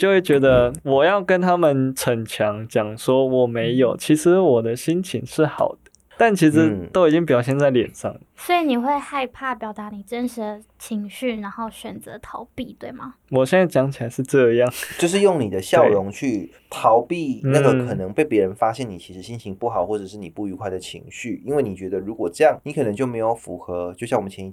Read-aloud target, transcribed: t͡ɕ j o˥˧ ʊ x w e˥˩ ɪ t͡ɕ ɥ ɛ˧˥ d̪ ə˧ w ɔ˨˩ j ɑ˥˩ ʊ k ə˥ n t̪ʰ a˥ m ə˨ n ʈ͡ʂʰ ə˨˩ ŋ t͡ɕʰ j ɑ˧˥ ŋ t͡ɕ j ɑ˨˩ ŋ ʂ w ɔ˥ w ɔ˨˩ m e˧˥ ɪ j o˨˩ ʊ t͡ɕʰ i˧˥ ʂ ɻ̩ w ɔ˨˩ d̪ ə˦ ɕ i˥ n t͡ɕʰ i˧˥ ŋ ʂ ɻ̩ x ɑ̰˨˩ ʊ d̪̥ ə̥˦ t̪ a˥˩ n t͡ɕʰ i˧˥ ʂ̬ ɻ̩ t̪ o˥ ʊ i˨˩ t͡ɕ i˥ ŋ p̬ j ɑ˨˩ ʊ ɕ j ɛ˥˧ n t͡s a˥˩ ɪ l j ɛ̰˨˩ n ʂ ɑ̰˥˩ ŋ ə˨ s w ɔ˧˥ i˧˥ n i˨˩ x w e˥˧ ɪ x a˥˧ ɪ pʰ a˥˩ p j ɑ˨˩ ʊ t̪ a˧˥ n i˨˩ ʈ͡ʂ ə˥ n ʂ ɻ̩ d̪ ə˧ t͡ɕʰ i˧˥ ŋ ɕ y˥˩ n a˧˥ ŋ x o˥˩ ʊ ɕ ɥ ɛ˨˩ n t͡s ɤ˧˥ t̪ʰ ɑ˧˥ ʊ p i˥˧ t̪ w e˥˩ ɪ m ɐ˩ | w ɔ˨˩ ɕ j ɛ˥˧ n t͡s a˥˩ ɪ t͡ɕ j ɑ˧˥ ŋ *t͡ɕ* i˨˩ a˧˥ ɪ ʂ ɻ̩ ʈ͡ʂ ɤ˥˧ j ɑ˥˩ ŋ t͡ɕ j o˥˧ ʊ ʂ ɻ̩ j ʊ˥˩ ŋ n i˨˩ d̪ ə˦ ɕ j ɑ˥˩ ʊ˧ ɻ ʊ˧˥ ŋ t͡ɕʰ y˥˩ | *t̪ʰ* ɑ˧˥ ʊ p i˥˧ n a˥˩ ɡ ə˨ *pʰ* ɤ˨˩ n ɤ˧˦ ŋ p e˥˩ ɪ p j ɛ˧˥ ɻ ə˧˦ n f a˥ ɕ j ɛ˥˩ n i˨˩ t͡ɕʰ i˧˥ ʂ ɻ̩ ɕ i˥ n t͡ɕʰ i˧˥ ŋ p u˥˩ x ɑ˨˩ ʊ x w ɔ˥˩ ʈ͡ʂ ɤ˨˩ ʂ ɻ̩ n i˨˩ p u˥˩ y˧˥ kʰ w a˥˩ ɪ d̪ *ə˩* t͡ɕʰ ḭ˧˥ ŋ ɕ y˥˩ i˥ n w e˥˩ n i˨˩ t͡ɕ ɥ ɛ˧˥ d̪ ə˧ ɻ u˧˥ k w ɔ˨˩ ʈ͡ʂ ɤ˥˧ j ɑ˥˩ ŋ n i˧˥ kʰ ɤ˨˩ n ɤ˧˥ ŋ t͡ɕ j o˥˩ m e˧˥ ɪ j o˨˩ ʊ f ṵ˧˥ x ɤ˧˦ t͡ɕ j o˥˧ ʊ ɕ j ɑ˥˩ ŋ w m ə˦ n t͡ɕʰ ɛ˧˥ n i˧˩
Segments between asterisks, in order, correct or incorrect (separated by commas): incorrect, correct, incorrect, correct